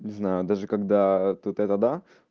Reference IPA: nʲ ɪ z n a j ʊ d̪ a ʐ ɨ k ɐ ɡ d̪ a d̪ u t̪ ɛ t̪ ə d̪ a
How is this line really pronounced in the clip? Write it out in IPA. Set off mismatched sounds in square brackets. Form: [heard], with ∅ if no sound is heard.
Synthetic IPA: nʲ ɪ z n a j ʊ d̪ a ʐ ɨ k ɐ ɡ d̪ a [t̪] u t̪ ɛ t̪ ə d̪ a